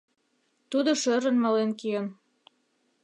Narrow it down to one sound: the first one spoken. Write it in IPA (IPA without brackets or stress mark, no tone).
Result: t̪